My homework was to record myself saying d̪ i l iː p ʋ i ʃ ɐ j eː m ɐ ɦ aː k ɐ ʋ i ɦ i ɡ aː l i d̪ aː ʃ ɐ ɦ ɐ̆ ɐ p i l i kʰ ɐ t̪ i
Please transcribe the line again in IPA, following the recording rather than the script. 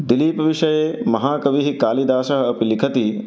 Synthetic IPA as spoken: d̪ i l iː p ʋ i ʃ ɐ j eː m ɐ ɦ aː k ɐ ʋ i ɦ i k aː l i d̪ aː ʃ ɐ ɦ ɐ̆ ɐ p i l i kʰ ɐ t̪ i